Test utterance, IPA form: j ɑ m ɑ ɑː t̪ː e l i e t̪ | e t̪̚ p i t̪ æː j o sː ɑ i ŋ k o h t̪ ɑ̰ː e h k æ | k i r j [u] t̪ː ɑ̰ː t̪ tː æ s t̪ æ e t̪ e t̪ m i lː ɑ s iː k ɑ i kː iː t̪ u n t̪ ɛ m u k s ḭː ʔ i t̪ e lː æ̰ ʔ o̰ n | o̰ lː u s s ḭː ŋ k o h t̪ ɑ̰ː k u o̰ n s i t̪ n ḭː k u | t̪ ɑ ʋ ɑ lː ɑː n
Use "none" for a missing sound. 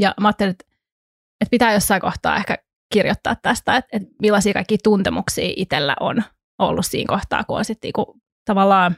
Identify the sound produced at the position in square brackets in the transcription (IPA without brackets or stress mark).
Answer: o